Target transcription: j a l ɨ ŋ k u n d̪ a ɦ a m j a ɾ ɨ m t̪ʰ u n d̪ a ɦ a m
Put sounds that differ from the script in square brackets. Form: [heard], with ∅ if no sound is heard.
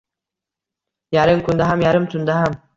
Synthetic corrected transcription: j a [ɾ] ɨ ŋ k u n d̪ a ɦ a m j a ɾ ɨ m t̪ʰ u n d̪ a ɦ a m